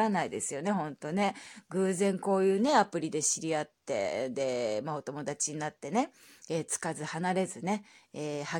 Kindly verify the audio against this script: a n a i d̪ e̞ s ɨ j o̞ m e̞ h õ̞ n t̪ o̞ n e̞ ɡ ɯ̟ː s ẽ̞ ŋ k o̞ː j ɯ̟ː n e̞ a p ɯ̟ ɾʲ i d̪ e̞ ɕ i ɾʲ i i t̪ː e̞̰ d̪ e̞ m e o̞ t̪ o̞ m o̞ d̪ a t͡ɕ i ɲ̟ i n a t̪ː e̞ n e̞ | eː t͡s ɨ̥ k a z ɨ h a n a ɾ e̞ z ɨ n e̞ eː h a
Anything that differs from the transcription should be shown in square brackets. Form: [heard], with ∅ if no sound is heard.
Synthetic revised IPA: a n a i d̪ e̞ s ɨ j o̞ [n] e̞ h õ̞ n t̪ o̞ n e̞ ɡ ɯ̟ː [z] ẽ̞ ŋ k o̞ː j ɯ̟ː n e̞ a p ɯ̟ ɾʲ i d̪ e̞ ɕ i ɾʲ i [a] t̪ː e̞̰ d̪ e̞ m [a] o̞ t̪ o̞ m o̞ d̪ a t͡ɕ i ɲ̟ i n a t̪ː e̞ n e̞ | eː t͡s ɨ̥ k a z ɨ h a n a ɾ e̞ z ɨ n e̞ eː h a